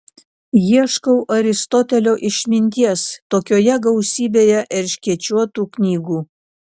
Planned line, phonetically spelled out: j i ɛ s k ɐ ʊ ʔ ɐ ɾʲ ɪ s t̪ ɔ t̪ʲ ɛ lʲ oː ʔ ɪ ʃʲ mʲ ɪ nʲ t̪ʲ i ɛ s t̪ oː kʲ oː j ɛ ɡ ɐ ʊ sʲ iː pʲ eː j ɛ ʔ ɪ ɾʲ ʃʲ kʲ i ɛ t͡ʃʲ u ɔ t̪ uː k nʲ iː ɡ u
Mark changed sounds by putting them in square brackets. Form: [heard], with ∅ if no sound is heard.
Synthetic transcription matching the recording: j i ɛ [ʃ] k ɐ ʊ ʔ ɐ ɾʲ ɪ s t̪ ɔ t̪ʲ ɛ lʲ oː ʔ ɪ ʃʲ mʲ ɪ nʲ t̪ʲ i ɛ s t̪ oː kʲ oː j ɛ ɡ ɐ ʊ sʲ iː [bʲ] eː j ɛ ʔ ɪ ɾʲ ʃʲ kʲ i ɛ t͡ʃʲ u ɔ t̪ uː k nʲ iː ɡ [uː]